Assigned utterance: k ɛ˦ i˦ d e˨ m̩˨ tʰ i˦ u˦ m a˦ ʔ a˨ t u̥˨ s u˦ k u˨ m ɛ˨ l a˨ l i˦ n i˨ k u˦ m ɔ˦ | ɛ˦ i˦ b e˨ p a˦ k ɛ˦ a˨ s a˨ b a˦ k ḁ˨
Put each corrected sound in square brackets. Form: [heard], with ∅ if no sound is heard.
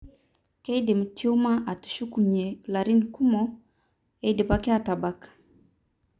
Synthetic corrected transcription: k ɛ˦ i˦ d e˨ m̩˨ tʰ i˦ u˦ m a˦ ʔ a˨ t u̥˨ [ʃ] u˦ k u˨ [ɲ] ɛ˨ l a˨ [ɾ] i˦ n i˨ k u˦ m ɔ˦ | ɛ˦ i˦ [d] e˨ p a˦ k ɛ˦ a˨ [t] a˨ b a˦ k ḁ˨